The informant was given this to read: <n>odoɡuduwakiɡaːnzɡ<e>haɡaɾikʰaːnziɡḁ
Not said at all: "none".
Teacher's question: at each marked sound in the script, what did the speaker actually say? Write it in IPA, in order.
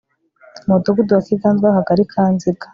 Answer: m, a

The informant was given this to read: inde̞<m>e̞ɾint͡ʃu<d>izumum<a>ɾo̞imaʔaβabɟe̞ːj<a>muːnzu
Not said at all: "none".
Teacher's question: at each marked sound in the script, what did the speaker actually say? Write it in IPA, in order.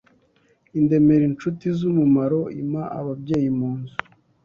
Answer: m, t, a, i

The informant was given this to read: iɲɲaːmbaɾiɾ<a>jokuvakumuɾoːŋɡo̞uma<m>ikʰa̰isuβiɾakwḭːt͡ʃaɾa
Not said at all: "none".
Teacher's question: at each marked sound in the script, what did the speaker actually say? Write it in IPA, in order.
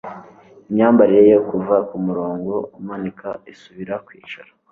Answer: e, n

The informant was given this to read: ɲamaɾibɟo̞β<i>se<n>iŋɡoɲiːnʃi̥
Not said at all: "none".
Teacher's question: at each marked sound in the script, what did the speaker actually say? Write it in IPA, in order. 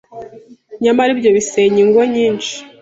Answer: i, ɲ

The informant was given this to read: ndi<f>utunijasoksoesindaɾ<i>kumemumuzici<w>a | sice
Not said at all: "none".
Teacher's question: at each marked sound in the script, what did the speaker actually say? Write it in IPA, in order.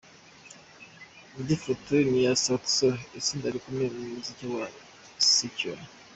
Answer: f, i, w

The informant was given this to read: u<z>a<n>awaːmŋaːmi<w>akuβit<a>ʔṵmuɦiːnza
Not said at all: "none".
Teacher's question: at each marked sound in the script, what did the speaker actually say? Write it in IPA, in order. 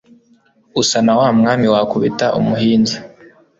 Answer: s, n, w, a

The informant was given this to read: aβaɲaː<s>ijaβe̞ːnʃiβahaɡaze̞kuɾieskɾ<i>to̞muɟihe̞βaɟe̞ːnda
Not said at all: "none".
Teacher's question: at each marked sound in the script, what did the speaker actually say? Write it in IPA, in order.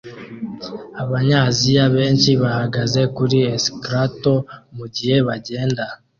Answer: z, a

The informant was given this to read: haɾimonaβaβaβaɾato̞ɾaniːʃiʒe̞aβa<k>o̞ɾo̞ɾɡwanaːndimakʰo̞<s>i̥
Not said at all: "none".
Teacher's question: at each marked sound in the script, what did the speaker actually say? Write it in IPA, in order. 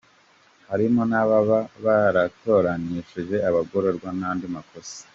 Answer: ɡ, s

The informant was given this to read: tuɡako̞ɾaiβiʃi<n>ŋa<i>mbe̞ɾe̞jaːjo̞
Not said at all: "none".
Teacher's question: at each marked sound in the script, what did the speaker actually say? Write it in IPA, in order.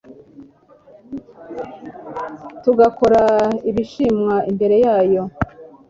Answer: m, i

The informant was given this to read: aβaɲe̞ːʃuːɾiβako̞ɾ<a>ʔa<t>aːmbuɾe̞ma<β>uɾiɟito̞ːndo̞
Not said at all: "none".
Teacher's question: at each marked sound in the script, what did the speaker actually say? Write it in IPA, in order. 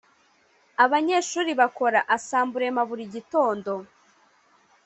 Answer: a, s, β

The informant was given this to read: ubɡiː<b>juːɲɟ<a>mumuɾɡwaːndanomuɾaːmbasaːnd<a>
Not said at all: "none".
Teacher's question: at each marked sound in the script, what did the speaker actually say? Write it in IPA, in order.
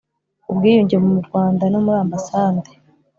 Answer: none, e, e

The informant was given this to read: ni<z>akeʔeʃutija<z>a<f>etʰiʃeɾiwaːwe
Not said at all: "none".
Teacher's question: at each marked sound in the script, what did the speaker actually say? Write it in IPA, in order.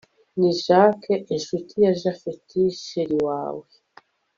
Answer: ʒ, ʒ, f

